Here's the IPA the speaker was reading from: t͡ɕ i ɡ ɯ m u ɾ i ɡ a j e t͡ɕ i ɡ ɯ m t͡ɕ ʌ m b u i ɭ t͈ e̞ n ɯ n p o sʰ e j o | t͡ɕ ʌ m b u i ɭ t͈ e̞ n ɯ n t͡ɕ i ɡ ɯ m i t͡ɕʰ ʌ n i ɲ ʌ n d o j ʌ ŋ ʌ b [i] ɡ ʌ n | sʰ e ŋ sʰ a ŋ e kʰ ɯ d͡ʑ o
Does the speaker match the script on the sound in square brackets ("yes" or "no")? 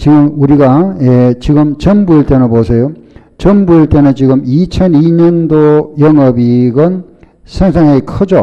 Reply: yes